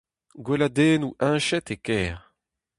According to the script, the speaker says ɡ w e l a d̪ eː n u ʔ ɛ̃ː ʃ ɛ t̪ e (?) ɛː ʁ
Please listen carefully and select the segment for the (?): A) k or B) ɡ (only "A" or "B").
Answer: A